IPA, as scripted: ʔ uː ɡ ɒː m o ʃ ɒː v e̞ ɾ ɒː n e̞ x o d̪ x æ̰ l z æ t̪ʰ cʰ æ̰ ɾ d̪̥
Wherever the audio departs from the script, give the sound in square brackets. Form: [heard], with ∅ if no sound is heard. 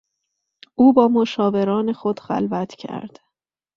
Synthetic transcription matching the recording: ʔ uː [b] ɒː m o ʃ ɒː v e̞ ɾ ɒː n e̞ x o d̪ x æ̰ l [v] æ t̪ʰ cʰ æ̰ ɾ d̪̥